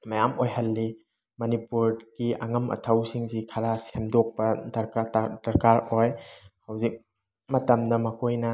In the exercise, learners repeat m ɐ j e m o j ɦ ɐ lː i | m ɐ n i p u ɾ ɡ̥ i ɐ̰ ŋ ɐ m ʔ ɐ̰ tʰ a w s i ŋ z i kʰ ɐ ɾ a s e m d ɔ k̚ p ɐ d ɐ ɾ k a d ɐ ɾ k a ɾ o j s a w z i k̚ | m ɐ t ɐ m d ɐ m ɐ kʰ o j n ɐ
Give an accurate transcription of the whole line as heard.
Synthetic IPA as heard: m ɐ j a m o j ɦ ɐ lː i | m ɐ n i p u ɾ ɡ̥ i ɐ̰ ŋ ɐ m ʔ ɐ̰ tʰ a w s i ŋ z i kʰ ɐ ɾ a s e m d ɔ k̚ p ɐ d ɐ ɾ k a d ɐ ɾ k a ɾ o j h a w z i k̚ | m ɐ t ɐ m d ɐ m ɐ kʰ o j n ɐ